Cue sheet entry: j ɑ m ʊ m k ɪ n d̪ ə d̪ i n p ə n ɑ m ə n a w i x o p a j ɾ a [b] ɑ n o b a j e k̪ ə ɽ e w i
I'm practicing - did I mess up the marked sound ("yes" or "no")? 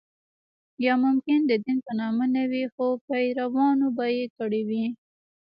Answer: yes